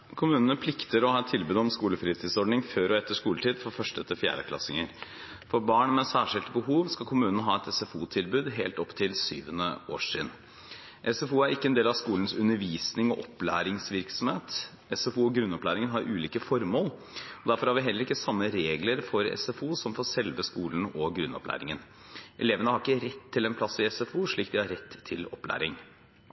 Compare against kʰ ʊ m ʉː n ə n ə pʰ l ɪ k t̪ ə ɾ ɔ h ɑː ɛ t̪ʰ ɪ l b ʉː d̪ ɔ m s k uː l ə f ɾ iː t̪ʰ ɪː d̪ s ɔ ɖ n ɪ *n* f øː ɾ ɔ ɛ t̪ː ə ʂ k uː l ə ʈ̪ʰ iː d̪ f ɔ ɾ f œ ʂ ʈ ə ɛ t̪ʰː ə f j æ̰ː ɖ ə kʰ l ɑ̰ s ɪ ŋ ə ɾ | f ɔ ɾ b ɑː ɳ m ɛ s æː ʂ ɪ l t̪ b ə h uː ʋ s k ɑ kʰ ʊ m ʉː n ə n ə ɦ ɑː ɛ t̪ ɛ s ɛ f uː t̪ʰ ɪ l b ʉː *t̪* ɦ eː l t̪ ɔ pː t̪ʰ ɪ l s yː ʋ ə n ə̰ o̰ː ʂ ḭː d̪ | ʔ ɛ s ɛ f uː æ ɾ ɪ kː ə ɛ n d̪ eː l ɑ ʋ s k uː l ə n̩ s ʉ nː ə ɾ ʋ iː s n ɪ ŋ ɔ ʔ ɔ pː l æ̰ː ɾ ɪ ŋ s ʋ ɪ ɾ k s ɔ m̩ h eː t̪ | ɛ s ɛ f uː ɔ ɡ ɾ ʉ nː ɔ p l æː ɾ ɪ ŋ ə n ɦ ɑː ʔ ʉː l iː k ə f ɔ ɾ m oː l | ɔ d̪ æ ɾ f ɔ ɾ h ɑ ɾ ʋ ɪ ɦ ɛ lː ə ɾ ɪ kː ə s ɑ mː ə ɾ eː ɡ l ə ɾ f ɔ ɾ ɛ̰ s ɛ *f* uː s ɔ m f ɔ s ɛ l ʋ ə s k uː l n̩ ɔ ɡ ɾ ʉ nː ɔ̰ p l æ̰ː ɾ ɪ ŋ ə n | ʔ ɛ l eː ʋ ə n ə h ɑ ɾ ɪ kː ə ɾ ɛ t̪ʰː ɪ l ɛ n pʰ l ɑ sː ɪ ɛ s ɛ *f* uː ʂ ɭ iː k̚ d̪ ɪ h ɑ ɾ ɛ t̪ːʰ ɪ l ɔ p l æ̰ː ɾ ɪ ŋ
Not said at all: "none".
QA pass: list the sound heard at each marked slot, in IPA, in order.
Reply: ŋ, d̪, f, f

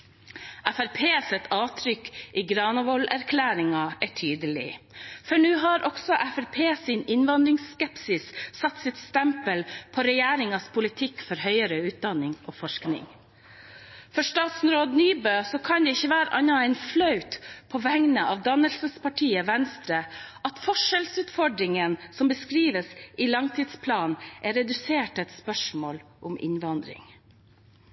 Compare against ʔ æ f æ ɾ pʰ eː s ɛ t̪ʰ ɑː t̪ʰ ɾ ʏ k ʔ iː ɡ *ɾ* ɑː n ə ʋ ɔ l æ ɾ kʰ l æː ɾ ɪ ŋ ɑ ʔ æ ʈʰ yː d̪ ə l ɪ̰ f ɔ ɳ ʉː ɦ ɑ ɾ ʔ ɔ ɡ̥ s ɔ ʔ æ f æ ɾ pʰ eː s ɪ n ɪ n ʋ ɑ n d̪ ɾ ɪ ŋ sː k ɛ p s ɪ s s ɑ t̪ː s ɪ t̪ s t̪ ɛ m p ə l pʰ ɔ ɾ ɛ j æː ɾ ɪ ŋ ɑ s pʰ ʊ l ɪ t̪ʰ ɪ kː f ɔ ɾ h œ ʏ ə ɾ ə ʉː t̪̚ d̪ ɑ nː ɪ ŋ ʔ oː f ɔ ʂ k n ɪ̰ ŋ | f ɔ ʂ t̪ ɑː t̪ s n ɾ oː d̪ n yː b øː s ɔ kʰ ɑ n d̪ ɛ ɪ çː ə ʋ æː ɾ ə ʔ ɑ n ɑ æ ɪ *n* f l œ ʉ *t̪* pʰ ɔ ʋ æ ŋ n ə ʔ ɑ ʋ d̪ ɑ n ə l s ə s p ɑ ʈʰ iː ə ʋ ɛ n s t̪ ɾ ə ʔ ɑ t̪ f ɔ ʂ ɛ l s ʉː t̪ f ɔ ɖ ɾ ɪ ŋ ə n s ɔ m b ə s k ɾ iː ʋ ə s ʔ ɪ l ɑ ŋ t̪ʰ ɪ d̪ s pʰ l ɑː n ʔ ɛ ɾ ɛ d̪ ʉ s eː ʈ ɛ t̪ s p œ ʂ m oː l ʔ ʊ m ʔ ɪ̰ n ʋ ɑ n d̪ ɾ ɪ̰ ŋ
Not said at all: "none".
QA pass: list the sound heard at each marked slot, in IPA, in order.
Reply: ɾ, n, t̪

